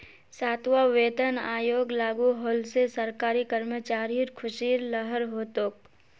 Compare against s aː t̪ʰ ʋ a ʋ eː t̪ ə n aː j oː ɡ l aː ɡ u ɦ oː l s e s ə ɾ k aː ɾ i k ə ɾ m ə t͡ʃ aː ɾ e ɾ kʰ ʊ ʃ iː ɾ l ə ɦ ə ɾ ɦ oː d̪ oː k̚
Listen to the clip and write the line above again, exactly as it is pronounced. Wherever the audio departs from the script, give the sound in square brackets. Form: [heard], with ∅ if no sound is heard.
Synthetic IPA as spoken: s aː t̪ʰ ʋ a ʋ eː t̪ ə n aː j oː ɡ l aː ɡ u ɦ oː l s e s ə ɾ k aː ɾ i k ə ɾ m ə t͡ʃ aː ɾ [i] ɾ kʰ ʊ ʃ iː ɾ l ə ɦ ə ɾ ɦ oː [t̪] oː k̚